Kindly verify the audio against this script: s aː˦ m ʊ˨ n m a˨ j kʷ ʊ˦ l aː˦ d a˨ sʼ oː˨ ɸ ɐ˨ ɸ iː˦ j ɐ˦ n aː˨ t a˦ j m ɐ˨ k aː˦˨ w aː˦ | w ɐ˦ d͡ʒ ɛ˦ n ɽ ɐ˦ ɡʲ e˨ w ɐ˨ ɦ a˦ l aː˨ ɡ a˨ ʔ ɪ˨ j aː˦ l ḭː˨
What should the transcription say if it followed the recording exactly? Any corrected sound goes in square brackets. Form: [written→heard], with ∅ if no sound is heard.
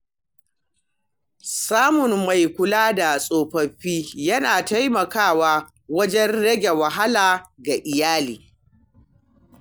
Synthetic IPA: s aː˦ m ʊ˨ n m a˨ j kʷ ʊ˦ l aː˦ d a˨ sʼ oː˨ ɸ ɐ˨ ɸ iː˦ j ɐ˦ n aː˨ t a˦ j m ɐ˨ k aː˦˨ w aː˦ | w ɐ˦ d͡ʒ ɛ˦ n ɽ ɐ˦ ɡʲ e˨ w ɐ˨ ɦ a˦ l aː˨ ɡ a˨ ʔ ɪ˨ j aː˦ l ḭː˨